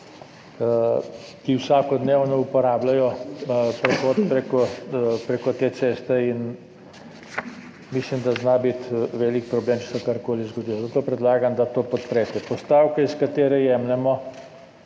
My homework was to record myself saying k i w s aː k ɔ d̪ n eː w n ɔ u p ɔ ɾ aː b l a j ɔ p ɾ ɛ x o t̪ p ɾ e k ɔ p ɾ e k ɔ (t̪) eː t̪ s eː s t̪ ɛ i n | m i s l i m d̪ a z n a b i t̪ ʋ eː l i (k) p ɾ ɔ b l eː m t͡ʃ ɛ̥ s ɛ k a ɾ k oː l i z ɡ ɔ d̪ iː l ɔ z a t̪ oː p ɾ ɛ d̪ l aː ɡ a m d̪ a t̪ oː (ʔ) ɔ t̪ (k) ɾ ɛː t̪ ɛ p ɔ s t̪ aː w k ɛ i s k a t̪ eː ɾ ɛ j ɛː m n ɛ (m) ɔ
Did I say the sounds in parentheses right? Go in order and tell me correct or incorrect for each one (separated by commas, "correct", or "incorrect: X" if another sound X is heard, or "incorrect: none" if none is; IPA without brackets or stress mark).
correct, correct, incorrect: p, incorrect: p, correct